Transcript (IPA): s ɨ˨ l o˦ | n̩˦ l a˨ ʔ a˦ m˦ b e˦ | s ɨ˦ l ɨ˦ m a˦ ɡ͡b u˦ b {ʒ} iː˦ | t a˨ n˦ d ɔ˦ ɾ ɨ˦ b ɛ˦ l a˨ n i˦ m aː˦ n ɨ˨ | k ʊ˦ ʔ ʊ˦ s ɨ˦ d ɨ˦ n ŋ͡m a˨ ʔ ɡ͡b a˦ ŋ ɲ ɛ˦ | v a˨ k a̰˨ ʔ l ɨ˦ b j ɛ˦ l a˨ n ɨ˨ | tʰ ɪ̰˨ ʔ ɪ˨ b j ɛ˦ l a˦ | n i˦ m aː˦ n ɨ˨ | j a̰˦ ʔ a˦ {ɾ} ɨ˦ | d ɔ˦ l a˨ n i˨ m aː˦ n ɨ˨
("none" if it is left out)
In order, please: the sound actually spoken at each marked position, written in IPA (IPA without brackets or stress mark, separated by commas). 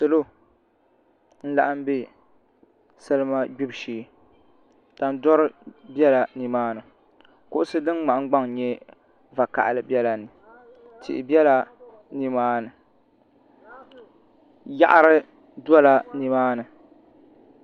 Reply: ʃ, ɾ